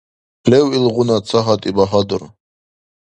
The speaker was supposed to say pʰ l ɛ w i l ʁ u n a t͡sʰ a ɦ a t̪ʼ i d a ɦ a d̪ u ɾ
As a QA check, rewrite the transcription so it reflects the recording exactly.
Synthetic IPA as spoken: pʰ l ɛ w i l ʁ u n a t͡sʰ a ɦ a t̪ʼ i b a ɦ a d̪ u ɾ